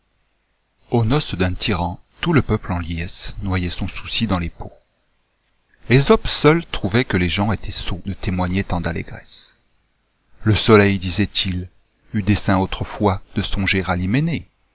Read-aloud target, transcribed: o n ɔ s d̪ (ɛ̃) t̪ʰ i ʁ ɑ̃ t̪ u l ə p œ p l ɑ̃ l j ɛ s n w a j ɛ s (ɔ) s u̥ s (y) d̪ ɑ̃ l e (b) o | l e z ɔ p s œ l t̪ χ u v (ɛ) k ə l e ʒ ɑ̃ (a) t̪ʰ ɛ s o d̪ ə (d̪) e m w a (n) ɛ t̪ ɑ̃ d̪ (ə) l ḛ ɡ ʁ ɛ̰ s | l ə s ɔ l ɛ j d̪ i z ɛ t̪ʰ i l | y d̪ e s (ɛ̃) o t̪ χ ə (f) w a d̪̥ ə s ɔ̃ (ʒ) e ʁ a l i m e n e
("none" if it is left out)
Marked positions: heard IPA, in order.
ɛ̃, ɔ̃, i, p, ɛ, e, t̪, ɲ, a, ɛ̃, f, ʒ

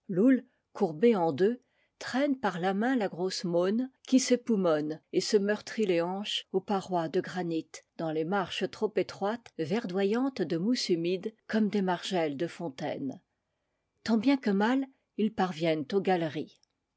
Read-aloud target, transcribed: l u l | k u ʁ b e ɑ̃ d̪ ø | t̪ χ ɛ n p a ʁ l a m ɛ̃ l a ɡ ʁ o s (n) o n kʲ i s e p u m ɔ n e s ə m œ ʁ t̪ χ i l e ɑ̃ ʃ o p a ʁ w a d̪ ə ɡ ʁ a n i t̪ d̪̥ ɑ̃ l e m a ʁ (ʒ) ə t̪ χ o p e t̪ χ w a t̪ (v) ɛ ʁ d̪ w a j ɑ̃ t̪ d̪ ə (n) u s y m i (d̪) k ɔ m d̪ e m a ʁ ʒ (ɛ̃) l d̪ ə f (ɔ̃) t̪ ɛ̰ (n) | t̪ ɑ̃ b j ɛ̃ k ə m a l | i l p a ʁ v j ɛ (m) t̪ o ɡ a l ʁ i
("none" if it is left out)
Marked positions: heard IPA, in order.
m, ʃ, v, m, d̪, ɛ, ɔ̃, n, n

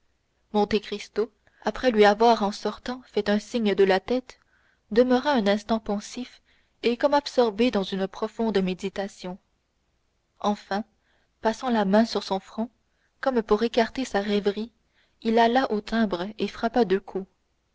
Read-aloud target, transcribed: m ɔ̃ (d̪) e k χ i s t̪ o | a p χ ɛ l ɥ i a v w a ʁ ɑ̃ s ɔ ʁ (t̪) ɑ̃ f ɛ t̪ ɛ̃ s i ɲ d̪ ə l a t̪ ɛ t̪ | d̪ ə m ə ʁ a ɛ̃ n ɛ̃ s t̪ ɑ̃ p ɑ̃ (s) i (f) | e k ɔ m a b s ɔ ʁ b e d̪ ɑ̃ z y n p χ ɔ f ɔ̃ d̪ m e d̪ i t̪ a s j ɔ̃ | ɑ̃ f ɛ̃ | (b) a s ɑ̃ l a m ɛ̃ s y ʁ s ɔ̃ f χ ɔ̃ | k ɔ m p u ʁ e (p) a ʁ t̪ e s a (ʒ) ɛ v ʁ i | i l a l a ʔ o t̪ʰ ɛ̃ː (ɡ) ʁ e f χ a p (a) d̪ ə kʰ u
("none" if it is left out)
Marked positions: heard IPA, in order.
t̪, t̪, s, f, p, k, ʁ, b, a

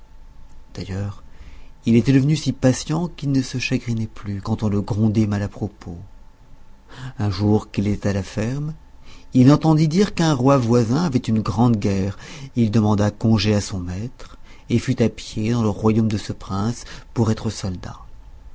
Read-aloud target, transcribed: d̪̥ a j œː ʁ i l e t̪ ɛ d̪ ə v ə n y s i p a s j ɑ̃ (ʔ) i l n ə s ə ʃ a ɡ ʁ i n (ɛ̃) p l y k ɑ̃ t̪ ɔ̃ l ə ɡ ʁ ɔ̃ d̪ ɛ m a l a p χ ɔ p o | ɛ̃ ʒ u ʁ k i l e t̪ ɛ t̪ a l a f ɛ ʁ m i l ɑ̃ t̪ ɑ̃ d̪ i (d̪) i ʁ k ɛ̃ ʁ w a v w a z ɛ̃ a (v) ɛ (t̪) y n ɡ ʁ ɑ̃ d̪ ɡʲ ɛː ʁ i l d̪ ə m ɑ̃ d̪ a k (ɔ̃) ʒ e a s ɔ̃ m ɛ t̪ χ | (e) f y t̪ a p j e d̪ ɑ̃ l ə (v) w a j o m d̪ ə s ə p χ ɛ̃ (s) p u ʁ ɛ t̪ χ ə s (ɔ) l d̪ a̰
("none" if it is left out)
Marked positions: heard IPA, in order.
k, ɛ, d̪, v, t̪, ɔ̃, e, ʁ, s, ɔ

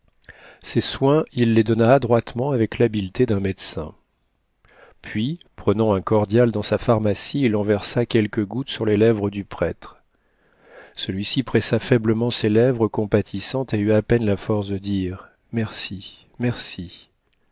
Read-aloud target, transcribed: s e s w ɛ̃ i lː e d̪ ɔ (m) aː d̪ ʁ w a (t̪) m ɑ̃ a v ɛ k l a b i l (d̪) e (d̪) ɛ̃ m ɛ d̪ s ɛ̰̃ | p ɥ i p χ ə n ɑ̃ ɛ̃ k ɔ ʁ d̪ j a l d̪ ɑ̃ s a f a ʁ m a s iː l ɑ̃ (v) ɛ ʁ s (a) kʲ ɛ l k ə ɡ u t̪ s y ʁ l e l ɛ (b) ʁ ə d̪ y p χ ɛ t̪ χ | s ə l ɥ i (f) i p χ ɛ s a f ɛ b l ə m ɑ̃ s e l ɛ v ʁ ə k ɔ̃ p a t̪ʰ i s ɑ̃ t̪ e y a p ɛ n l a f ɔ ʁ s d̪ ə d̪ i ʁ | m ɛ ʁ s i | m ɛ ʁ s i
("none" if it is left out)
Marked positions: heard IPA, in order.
n, t̪, t̪, d̪, v, a, v, s

